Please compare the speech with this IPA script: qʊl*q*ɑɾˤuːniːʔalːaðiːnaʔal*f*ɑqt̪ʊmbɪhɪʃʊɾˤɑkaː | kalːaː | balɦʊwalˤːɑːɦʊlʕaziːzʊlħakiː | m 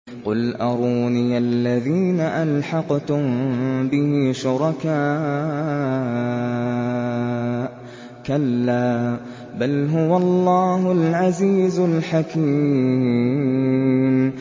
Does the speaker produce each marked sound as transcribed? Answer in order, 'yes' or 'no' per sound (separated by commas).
no, no